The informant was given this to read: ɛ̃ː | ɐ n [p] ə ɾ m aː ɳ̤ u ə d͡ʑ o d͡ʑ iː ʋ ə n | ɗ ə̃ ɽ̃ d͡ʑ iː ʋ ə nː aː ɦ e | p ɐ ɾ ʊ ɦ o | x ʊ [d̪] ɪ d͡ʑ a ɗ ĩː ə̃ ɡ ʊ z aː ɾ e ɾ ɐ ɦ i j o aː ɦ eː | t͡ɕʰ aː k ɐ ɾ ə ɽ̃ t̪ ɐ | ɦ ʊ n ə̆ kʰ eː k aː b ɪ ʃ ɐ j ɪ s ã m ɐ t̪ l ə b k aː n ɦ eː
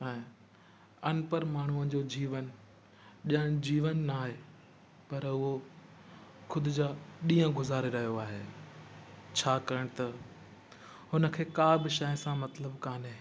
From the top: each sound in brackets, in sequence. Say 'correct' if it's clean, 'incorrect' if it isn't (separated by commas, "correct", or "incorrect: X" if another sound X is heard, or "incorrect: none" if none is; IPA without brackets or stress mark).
correct, correct